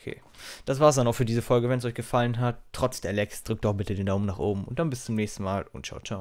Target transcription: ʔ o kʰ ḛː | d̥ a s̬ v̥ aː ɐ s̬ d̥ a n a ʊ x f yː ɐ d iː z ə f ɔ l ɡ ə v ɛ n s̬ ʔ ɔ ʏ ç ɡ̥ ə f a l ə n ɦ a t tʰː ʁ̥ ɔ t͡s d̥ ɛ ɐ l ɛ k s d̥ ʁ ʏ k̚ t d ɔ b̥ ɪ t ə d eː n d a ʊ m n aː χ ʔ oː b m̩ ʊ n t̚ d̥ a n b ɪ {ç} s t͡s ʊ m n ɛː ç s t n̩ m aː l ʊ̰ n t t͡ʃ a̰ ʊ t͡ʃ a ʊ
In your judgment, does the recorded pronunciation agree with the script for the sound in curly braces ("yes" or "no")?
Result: no